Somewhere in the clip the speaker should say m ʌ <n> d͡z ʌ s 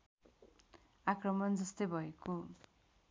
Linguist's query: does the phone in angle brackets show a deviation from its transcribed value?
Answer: no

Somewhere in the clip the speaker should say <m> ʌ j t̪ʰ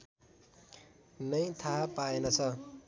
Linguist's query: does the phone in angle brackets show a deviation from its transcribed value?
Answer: yes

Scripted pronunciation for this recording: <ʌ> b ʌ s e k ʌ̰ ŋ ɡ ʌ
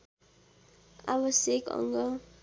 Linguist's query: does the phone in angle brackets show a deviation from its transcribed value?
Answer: yes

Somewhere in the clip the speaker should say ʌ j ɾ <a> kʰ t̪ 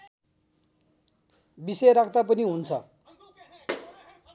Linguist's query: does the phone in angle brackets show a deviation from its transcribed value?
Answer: no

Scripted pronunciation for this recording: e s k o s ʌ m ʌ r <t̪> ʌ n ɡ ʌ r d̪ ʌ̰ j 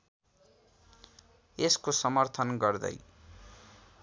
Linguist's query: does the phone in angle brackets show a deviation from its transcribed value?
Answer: yes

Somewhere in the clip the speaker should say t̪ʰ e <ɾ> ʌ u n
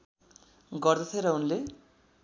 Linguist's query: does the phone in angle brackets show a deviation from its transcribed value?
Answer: no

